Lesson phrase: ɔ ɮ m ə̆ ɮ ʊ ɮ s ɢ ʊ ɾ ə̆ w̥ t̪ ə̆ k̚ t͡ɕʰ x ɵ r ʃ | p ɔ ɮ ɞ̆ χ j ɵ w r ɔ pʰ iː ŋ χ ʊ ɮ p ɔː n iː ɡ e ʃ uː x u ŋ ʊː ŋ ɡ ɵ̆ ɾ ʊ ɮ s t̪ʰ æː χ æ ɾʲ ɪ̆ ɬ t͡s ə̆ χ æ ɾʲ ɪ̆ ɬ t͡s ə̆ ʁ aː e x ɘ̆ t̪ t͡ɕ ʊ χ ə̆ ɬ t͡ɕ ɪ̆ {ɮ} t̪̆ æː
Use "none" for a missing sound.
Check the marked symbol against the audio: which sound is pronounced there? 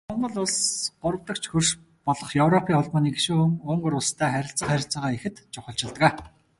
ɮ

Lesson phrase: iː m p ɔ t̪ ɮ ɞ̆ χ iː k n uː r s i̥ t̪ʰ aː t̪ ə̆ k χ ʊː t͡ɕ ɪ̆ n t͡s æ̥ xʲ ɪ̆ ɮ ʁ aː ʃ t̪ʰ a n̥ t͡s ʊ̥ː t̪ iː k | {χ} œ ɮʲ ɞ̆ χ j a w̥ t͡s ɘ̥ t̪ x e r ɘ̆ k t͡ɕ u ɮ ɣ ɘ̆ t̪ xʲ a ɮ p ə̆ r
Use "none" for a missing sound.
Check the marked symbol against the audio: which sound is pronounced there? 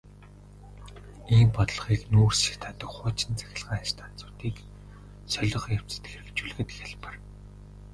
s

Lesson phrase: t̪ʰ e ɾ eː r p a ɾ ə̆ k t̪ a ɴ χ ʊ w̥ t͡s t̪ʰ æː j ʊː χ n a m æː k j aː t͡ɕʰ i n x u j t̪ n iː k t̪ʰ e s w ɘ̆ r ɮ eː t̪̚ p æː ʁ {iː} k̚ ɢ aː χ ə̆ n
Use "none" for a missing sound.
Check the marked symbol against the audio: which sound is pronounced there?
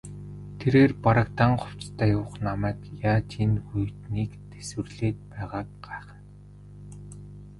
aː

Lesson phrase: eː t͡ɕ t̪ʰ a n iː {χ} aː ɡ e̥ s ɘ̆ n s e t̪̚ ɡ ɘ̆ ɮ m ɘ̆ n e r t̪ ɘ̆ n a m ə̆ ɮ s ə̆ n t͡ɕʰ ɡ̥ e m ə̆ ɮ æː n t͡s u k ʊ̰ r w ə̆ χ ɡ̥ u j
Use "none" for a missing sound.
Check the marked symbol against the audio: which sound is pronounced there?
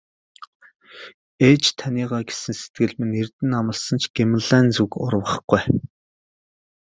ʁ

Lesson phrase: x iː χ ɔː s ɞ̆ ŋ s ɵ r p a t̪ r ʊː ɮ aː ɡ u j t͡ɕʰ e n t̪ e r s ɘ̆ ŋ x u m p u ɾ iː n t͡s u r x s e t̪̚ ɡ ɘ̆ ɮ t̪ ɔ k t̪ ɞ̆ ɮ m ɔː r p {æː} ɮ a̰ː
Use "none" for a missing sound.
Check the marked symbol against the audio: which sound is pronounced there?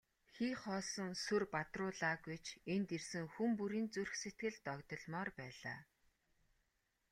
æː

